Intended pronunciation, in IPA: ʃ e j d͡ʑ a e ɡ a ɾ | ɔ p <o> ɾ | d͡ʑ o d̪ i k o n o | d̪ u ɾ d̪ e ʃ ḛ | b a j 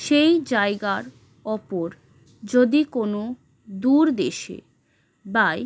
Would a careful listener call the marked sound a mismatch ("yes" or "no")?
no